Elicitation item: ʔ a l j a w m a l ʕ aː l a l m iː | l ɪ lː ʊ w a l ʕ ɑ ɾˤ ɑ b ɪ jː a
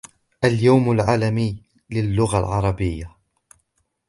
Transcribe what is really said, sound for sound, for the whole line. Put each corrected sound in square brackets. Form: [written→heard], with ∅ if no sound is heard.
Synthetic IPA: ʔ a l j a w m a l ʕ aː l a [l→∅] m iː | l ɪ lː ʊ [w→ɣ] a l ʕ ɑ ɾˤ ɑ b ɪ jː a